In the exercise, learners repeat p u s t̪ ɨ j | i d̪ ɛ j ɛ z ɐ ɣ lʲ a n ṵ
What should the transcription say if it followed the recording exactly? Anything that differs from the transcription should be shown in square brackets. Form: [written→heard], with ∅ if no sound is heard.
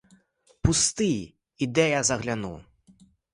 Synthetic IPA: p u s t̪ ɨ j | i d̪ ɛ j [ɛ→a] z ɐ ɣ lʲ a n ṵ